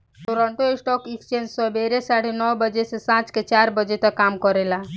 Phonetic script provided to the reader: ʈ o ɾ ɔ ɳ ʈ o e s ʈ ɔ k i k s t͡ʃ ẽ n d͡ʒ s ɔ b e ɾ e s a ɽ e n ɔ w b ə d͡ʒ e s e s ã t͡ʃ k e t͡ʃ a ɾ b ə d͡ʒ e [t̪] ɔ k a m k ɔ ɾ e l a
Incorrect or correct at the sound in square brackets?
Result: correct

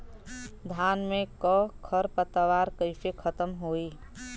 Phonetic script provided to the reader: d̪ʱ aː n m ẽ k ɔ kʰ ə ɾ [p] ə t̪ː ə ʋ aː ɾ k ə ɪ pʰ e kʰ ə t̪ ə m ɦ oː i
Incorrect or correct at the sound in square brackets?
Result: correct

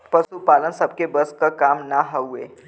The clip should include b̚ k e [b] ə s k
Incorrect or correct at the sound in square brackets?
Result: correct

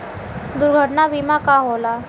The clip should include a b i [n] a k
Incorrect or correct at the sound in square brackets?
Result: incorrect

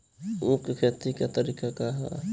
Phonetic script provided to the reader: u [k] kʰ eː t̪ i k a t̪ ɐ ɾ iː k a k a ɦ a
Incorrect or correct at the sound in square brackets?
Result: correct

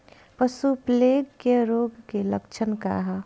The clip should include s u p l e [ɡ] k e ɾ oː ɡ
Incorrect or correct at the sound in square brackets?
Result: correct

